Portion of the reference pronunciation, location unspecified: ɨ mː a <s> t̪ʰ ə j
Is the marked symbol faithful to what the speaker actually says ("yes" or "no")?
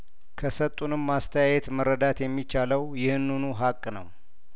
yes